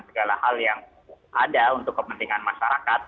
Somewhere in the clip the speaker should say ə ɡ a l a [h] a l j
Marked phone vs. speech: correct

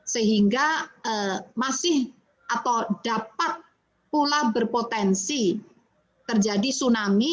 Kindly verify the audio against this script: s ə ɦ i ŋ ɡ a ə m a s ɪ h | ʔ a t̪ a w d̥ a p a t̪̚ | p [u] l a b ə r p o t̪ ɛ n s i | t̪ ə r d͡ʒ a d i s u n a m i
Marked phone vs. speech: correct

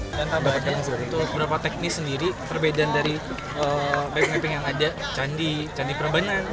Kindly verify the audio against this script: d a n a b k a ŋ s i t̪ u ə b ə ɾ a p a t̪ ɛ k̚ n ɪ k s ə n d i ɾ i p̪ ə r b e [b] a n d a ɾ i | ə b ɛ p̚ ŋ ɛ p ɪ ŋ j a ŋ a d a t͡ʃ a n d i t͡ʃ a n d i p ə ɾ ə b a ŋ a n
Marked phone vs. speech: incorrect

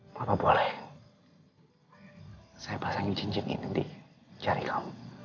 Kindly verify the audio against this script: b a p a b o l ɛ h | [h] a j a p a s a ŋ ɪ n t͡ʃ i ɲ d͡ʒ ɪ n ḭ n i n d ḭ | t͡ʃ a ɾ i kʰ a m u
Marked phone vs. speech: incorrect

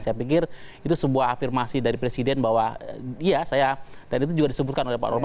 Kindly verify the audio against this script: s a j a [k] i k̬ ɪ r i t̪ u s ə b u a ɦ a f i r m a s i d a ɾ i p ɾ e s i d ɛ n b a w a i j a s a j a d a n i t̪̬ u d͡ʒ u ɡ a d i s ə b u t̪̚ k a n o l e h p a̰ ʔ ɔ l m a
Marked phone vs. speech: incorrect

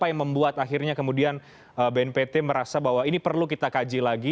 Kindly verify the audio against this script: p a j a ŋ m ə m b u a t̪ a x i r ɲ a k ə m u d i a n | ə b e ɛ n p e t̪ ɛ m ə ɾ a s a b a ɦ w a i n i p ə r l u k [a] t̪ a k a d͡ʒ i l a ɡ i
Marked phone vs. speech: incorrect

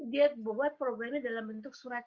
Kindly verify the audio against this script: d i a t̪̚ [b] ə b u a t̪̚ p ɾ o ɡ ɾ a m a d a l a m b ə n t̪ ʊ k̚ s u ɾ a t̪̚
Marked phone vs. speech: correct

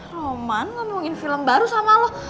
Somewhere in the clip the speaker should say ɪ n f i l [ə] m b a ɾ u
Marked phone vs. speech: correct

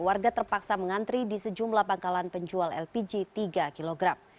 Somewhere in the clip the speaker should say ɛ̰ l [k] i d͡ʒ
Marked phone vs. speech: incorrect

